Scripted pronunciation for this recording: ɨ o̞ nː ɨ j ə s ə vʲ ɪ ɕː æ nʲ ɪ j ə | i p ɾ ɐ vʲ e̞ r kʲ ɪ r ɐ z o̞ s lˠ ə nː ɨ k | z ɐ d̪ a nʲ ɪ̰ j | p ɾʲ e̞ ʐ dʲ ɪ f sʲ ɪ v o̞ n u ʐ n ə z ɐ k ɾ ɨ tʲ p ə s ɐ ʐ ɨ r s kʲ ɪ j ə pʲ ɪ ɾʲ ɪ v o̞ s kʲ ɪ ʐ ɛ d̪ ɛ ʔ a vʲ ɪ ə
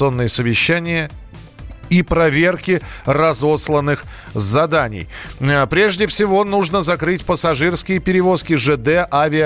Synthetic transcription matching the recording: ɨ o̞ nː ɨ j ə s ə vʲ ɪ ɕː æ nʲ ɪ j ə | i p ɾ ɐ vʲ e̞ r kʲ ɪ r ɐ z o̞ s lˠ ə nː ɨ x | z ɐ d̪ a nʲ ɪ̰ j | p ɾʲ e̞ ʐ dʲ ɪ f sʲ ɪ v o̞ n u ʐ n ə z ɐ k ɾ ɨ tʲ p ə s ɐ ʐ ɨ r s kʲ ɪ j ə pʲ ɪ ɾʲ ɪ v o̞ s kʲ ɪ ʐ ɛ d̪ ɛ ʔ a vʲ ɪ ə